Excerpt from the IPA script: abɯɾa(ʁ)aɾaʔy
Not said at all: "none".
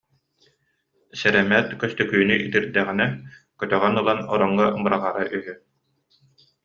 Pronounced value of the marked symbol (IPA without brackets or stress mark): ʁ